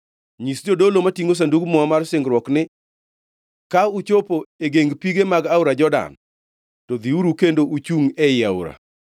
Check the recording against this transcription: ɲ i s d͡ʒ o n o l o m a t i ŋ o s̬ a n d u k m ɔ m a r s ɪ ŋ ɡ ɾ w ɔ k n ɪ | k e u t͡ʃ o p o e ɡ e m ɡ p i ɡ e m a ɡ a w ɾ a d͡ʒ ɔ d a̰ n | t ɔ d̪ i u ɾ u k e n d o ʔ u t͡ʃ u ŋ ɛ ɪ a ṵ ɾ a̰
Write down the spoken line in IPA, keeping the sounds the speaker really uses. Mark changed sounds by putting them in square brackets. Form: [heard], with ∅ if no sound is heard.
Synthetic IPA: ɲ i s d͡ʒ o [d] o l o m a t i ŋ o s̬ a n d u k m ɔ m a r s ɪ ŋ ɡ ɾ w ɔ k n ɪ | k [a] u t͡ʃ o p o e ɡ e [ŋ] ɡ p i ɡ e m a ɡ a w ɾ a d͡ʒ ɔ d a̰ n | t ɔ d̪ i u ɾ u k e n d o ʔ u t͡ʃ u ŋ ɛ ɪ a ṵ ɾ a̰